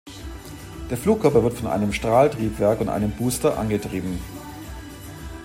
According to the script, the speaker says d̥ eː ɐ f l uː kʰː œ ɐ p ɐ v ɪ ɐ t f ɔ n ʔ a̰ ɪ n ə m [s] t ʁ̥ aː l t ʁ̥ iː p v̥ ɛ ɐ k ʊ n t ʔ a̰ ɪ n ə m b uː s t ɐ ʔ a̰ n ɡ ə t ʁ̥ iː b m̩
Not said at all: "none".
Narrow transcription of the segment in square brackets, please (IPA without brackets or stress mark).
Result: ʃ